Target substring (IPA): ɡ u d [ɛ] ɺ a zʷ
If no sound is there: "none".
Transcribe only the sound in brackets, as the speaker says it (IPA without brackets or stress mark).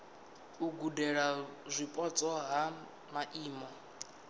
ɛ